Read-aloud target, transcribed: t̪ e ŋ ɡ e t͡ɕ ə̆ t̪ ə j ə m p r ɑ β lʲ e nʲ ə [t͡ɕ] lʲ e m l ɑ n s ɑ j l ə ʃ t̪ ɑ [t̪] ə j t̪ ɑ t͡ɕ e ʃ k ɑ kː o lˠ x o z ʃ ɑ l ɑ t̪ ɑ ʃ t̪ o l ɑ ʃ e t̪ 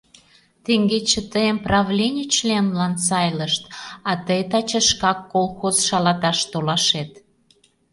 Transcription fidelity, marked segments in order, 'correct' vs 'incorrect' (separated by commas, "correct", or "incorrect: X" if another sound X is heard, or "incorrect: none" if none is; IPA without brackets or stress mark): correct, correct